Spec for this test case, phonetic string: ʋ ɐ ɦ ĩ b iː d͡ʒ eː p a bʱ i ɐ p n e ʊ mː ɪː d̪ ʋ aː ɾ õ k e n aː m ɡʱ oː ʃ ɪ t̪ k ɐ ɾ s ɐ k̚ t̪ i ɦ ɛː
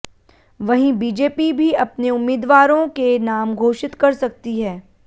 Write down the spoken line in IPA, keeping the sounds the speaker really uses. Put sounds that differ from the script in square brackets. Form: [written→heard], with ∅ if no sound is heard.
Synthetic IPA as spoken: ʋ ɐ ɦ ĩ b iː d͡ʒ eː p [a→i] bʱ i ɐ p n e ʊ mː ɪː d̪ ʋ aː ɾ õ k e n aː m ɡʱ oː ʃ ɪ t̪ k ɐ ɾ s ɐ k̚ t̪ i ɦ ɛː